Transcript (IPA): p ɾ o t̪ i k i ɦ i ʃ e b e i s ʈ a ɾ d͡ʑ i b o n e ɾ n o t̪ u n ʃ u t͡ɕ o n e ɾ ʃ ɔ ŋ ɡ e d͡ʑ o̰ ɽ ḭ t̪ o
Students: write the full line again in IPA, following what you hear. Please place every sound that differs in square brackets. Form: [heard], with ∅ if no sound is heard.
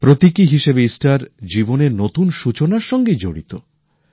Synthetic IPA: p ɾ o t̪ i k i ɦ i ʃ e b e i s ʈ a ɾ d͡ʑ i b o n e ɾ n o t̪ u n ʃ u t͡ɕ o n [a] ɾ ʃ ɔ ŋ ɡ e d͡ʑ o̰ ɽ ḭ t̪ o